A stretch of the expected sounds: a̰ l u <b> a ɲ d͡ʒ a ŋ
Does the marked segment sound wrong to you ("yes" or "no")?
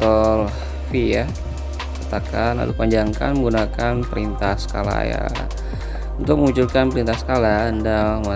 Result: yes